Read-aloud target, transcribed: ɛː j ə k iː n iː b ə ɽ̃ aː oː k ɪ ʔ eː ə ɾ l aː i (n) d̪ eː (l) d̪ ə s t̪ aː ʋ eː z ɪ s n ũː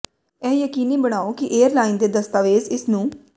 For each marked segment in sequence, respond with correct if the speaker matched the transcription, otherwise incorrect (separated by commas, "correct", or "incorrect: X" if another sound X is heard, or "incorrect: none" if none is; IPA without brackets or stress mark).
correct, incorrect: none